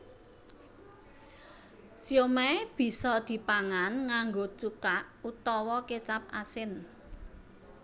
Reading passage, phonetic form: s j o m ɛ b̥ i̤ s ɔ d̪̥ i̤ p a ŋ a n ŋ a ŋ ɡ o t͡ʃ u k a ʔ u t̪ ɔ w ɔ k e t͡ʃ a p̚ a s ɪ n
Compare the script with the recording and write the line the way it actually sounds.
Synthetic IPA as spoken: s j o m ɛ b̥ i̤ s ɔ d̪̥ i̤ p a ŋ a n ŋ a ŋ ɡ o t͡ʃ u k a ʔ u t̪ ɔ w ɔ k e t͡ʃ a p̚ a s ɪ n